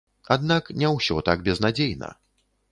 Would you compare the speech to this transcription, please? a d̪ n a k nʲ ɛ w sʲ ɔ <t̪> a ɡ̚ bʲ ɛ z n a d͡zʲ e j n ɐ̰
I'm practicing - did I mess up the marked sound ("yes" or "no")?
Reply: no